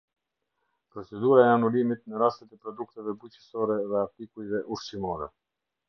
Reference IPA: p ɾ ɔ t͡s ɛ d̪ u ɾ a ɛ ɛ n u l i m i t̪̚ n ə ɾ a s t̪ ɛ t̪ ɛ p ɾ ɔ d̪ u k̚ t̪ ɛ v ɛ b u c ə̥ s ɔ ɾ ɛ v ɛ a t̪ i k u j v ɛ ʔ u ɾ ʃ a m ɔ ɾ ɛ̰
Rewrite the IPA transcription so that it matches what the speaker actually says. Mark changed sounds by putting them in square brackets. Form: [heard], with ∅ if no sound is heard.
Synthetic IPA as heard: p ɾ ɔ t͡s ɛ d̪ u ɾ a ɛ [a] n u l i m i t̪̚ n ə ɾ a s t̪ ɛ t̪ ɛ p ɾ ɔ d̪ u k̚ t̪ ɛ v ɛ b u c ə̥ s ɔ ɾ ɛ [ð] ɛ a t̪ i k u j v ɛ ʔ u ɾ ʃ [i] m ɔ ɾ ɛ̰